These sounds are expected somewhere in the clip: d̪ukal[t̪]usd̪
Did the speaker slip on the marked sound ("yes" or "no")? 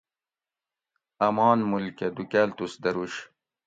no